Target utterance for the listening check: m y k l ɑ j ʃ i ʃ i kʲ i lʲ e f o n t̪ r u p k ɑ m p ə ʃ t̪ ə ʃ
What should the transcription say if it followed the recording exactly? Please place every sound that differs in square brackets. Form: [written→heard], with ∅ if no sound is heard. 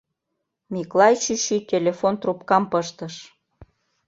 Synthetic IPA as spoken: m [y→i] k l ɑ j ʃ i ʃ i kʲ [i→e] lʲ e f o n t̪ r u p k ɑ m p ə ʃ t̪ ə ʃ